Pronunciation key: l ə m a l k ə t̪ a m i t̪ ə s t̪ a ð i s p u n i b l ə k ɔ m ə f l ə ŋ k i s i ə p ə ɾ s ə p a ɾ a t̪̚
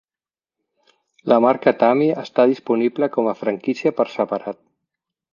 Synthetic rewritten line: l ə m a ɾ k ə t̪ a m i ə s t̪ a ð i s p u n i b l ə k ɔ m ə f ɾ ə ŋ k i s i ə p ə ɾ s ə p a ɾ a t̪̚